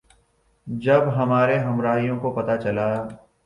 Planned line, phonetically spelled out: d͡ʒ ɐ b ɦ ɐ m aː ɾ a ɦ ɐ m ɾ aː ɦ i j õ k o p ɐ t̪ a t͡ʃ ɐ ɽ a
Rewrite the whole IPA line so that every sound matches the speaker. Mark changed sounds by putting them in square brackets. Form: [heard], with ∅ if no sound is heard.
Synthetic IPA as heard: d͡ʒ ɐ b ɦ ɐ m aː ɾ [e] ɦ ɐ m ɾ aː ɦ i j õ k o p ɐ t̪ a t͡ʃ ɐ [l] a